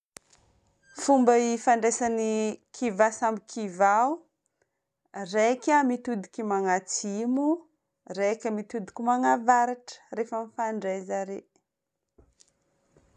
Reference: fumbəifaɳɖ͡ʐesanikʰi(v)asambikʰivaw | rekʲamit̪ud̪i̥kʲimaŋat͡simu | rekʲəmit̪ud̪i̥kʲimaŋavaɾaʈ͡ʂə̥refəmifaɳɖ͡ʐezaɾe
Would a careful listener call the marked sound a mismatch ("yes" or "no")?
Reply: no